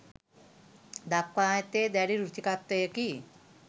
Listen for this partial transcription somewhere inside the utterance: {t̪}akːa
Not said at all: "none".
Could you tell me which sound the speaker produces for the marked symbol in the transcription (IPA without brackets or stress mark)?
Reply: d̪